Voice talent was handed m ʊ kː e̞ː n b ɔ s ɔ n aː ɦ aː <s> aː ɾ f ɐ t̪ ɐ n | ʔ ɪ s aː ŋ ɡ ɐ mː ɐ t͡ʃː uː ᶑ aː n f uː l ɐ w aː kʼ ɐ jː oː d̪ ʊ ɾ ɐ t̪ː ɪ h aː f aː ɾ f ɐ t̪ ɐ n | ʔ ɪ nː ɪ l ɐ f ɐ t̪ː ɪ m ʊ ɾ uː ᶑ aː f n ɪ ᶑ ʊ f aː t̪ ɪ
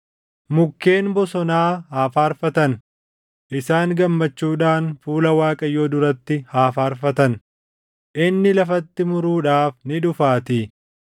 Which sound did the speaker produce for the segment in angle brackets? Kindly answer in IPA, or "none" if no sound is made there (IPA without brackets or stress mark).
f